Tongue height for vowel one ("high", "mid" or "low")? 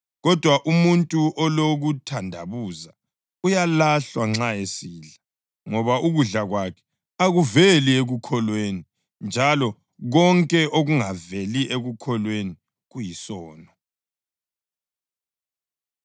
mid